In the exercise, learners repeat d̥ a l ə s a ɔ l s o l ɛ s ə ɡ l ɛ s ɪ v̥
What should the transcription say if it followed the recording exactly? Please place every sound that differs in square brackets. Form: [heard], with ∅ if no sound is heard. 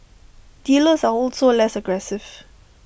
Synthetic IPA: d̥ [i] l ə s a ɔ l s o l ɛ s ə ɡ [ɹ] ɛ s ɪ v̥